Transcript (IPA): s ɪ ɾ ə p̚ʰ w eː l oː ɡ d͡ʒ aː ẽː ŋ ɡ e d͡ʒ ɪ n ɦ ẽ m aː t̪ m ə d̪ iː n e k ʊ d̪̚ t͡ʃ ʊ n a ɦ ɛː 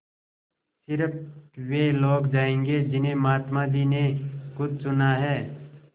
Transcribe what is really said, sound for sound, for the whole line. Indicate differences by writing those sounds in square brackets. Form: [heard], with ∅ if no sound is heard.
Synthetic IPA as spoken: s ɪ ɾ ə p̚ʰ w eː l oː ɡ d͡ʒ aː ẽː ŋ ɡ e d͡ʒ ɪ n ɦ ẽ m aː t̪ m [a] d̪ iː n e k ʊ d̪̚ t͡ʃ ʊ n a ɦ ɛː